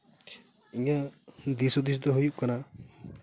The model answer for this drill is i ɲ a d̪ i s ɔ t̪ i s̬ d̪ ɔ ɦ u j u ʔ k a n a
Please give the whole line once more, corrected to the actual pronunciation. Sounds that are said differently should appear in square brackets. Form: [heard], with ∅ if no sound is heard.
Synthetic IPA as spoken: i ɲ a d̪ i s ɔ [d̪] i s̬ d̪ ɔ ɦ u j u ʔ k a n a